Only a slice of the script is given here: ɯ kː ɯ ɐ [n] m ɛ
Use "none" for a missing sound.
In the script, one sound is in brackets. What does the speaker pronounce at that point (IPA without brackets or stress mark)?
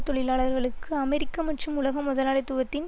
none